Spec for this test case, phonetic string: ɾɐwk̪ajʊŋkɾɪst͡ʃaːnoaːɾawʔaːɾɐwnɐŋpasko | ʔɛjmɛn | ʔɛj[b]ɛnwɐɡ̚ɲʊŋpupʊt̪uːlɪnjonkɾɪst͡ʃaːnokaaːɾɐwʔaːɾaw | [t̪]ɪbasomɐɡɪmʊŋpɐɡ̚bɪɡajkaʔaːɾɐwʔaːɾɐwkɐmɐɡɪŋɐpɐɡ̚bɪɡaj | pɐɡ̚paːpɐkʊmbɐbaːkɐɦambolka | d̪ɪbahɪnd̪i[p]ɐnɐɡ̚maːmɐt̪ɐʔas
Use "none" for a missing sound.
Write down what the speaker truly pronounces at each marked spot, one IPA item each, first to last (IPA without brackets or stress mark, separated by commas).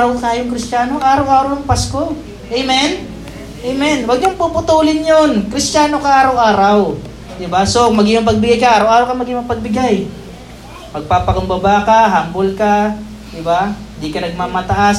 m, d̪, k